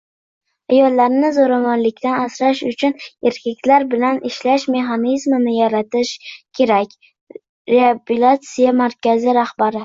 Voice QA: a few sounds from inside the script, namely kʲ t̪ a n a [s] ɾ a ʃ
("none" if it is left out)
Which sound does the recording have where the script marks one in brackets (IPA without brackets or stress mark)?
s